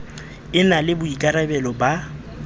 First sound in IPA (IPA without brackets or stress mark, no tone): ɪ